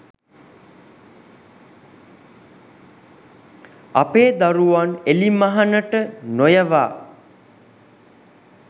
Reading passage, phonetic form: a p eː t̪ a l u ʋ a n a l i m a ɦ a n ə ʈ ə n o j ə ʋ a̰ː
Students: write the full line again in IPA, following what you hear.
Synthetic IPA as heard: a p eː d̪ a ɾ u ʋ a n e l i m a ɦ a n ə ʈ ə n o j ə ʋ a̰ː